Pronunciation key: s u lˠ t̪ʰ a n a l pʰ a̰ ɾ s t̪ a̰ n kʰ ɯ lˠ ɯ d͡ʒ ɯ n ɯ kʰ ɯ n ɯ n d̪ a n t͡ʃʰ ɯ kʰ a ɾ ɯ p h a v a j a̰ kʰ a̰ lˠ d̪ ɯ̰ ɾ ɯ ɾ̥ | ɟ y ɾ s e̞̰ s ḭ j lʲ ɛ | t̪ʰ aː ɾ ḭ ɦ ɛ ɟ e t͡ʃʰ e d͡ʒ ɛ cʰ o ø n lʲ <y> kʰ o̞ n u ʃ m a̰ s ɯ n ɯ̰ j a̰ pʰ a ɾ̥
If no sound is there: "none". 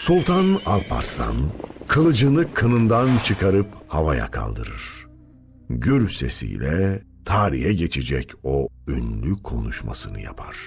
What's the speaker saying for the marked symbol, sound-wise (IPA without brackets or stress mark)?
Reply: y